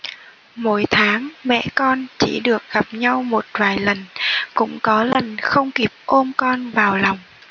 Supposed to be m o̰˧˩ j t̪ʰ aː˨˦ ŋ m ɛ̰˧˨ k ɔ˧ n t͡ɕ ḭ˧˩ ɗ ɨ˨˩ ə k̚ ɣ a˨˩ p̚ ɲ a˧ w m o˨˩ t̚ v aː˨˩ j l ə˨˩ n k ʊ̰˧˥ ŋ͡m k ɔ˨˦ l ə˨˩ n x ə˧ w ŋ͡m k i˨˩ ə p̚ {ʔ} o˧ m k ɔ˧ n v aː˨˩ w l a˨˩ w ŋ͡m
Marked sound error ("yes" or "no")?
no